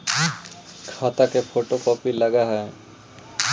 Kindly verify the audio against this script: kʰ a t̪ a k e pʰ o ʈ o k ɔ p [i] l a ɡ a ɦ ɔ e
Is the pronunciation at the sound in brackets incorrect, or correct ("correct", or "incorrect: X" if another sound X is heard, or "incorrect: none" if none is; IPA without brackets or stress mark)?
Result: correct